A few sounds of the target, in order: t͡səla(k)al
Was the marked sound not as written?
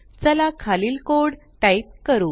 yes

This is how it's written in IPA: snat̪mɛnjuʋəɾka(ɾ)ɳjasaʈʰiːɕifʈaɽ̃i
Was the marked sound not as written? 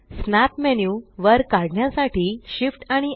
yes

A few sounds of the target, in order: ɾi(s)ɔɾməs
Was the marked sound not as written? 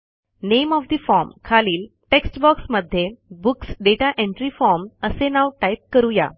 yes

